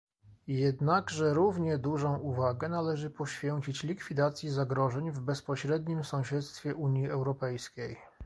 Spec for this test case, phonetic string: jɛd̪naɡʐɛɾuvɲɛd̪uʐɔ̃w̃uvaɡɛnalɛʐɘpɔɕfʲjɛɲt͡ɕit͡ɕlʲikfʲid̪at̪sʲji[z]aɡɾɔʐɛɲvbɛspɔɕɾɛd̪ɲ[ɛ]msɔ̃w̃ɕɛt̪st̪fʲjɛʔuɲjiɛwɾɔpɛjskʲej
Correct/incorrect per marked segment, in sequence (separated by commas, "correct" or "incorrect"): correct, incorrect